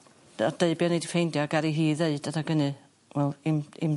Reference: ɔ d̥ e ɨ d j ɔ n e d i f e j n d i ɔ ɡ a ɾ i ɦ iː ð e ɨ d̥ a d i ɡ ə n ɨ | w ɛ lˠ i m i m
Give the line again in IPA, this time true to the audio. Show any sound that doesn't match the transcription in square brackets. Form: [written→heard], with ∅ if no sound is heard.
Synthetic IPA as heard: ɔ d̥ e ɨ [d→b] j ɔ n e d i f e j n d [i→j] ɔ ɡ a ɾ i ɦ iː ð e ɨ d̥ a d [i→a] ɡ ə n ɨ | w ɛ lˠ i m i m